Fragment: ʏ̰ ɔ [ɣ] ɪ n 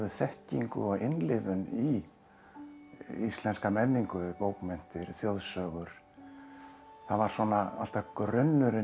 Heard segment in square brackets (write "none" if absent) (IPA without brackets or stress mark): ɣ